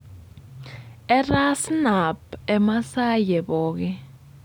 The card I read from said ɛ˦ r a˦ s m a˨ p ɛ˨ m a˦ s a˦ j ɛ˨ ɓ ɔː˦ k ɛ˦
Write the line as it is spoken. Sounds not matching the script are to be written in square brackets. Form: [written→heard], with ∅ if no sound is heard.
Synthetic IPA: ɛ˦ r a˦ s [m→n] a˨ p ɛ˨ m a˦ s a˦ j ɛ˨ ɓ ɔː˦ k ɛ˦